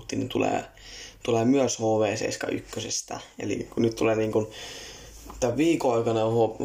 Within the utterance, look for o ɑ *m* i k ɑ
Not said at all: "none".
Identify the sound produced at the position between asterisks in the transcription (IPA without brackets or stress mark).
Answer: none